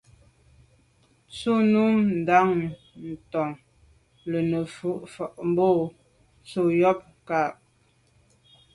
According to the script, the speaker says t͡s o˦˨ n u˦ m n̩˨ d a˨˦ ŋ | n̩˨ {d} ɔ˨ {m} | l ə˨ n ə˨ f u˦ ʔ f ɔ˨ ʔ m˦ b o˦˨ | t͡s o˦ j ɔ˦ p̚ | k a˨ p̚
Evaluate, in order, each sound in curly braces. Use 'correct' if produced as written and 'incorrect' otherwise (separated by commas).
incorrect, incorrect